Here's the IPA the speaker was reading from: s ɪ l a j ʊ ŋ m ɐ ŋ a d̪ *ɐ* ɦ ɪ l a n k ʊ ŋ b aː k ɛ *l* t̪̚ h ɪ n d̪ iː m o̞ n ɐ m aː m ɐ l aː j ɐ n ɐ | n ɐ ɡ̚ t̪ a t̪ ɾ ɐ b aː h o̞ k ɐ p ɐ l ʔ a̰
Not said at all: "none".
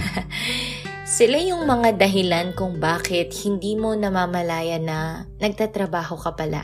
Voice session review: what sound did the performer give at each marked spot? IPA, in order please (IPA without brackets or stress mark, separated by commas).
ɐ, none